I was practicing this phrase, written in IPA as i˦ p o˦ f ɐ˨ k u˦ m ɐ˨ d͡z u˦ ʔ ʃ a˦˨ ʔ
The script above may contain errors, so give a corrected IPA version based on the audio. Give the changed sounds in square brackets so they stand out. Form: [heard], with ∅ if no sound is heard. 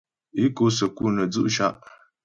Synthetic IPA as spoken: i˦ [k] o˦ [s] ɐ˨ k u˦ [n] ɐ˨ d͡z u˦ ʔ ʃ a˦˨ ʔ